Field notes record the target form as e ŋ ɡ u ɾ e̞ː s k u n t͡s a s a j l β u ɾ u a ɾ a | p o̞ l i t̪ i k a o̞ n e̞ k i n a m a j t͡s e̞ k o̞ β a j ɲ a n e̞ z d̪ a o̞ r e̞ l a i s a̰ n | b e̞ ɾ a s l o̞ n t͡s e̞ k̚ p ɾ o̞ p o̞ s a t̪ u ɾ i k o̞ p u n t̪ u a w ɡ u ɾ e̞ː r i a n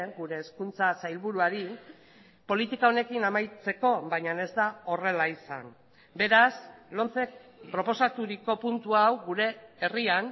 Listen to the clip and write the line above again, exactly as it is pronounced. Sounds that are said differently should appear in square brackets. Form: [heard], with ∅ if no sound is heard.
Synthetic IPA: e ŋ ɡ u ɾ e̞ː s k u n t͡s a s a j l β u ɾ u a ɾ [i] | p o̞ l i t̪ i k a o̞ n e̞ k i n a m a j t͡s e̞ k o̞ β a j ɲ a n e̞ z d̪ a o̞ r e̞ l a i s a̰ n | b e̞ ɾ a s l o̞ n t͡s e̞ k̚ p ɾ o̞ p o̞ s a t̪ u ɾ i k o̞ p u n t̪ u a w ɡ u ɾ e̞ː r i a n